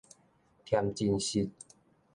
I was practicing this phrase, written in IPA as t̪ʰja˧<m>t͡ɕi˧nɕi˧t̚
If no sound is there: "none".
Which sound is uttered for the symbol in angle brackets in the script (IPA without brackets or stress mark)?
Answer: m